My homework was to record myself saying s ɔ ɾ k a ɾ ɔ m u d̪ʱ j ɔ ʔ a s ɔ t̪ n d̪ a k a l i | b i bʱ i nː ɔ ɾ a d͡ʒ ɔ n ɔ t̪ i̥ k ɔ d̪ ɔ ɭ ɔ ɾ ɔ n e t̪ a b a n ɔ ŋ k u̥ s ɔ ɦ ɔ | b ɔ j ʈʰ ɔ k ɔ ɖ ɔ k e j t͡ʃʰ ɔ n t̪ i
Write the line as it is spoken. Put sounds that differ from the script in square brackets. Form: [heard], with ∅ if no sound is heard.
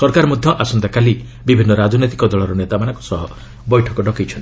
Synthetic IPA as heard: s ɔ ɾ k a ɾ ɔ m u d̪ʱ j ɔ ʔ a s ɔ [∅] n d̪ a k a l i | b i bʱ i nː ɔ ɾ a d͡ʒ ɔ n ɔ t̪ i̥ k ɔ d̪ ɔ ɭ ɔ ɾ ɔ n e t̪ a [m] a n ɔ ŋ k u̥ s ɔ ɦ ɔ | b ɔ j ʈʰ ɔ k ɔ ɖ ɔ k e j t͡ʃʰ ɔ n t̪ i